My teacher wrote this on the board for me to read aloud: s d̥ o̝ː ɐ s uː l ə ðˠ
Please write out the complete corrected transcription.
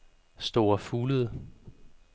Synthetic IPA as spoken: s d̥ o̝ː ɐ f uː l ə ðˠ